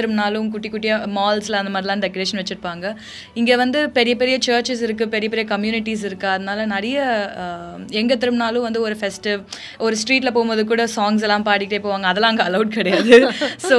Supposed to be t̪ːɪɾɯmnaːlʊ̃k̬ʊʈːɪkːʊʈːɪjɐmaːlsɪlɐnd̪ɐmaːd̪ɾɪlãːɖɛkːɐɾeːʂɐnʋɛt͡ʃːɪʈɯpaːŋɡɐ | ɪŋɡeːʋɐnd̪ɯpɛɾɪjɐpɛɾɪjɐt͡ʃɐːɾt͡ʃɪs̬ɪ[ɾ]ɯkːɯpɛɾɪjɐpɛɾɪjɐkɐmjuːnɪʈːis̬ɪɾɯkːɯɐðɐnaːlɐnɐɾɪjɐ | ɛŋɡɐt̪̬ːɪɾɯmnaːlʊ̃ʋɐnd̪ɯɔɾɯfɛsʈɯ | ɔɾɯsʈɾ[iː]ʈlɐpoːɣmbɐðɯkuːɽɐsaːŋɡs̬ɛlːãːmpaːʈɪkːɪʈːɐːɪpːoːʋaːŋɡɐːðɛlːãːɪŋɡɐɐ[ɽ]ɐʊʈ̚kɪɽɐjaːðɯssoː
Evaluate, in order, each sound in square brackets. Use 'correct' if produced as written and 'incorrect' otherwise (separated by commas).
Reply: correct, correct, incorrect